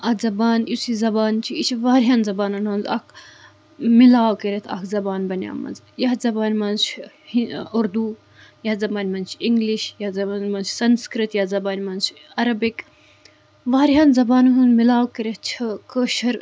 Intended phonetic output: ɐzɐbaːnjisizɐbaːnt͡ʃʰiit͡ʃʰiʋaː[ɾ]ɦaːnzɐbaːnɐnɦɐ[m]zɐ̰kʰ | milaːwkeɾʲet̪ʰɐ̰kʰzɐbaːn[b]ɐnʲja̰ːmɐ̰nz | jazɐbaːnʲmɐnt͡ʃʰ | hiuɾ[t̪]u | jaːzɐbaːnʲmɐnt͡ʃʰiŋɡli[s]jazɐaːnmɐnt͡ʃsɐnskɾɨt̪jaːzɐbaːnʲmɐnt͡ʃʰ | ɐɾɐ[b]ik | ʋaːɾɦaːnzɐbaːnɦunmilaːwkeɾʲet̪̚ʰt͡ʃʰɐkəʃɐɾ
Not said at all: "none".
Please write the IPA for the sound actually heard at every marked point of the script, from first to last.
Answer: ɾ, n, b, d̪, ʃ, b

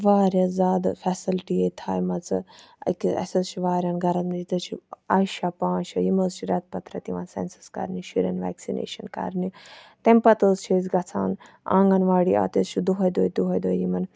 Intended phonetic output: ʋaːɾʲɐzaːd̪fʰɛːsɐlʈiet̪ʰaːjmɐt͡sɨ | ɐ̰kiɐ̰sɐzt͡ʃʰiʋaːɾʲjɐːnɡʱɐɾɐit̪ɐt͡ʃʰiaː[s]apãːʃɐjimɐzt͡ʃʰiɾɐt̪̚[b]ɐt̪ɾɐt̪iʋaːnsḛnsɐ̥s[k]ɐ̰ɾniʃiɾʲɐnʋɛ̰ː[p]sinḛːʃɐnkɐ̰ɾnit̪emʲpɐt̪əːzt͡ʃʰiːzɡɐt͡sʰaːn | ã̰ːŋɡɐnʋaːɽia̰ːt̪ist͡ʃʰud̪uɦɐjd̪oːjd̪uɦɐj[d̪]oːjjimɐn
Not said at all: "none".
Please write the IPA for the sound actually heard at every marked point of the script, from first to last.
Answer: ʃ, p, k, k, d̪

